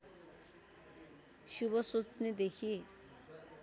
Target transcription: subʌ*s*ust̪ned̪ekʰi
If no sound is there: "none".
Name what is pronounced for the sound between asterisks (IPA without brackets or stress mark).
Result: s